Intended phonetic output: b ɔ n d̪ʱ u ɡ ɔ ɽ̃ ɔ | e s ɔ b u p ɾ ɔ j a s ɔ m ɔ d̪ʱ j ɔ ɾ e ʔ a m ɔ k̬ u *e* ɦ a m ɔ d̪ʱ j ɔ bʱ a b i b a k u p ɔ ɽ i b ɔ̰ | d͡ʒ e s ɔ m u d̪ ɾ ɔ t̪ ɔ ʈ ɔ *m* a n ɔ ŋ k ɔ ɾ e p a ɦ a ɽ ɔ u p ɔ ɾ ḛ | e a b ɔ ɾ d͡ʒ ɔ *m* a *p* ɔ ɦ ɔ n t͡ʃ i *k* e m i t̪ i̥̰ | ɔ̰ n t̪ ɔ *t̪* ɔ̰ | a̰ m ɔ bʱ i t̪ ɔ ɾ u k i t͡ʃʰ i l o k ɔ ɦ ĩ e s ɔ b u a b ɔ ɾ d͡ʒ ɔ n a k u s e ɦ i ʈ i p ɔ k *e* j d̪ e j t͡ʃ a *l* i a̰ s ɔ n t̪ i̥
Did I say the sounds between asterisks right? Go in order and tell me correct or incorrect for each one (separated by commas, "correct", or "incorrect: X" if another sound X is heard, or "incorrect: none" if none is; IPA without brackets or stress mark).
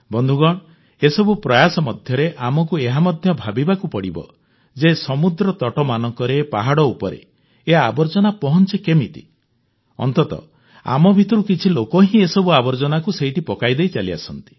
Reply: correct, correct, incorrect: n, correct, correct, correct, incorrect: a, correct